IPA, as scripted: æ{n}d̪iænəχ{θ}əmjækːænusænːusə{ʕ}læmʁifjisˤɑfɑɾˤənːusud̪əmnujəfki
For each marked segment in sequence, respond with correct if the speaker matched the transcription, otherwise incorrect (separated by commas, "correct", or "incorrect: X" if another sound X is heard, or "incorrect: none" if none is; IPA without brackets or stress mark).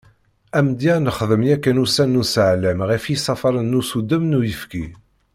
incorrect: m, incorrect: ð, correct